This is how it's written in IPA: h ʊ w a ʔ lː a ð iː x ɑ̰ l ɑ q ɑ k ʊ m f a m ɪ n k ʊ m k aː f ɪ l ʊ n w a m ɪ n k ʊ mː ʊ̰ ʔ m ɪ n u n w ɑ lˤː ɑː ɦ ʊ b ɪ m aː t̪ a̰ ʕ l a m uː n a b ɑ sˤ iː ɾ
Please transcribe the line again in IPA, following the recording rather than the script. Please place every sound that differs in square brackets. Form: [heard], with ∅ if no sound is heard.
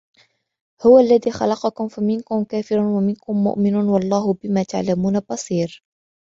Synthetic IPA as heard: h ʊ w a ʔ lː a ð iː x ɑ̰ l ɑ q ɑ k ʊ m f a m ɪ n k ʊ m k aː f ɪ [ɾ] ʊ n w a m ɪ n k ʊ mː ʊ̰ ʔ m ɪ n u n w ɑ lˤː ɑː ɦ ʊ b ɪ m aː t̪ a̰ ʕ l a m uː n a b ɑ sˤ iː ɾ